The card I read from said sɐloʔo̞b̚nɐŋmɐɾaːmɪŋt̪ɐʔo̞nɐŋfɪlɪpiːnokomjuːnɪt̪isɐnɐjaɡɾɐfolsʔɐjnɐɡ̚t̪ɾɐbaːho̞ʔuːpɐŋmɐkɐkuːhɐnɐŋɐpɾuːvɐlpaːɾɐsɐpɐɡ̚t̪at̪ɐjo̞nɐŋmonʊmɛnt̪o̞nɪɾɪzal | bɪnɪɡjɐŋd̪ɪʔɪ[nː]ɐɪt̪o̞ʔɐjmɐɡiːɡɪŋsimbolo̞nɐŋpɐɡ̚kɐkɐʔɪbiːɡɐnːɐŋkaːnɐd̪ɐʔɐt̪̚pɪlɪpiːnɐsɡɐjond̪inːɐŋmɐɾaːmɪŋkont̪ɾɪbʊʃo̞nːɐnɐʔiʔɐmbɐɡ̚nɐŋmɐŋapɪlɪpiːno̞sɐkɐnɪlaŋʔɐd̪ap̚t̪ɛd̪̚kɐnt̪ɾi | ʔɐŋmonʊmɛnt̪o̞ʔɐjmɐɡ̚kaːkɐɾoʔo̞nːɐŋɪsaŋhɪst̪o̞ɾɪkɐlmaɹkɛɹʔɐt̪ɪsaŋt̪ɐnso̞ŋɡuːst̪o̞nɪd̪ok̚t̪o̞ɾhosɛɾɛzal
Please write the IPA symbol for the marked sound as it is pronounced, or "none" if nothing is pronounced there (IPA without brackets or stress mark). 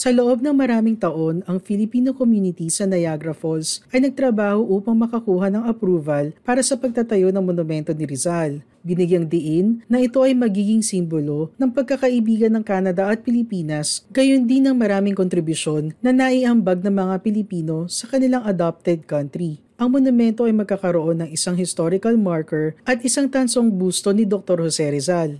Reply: nː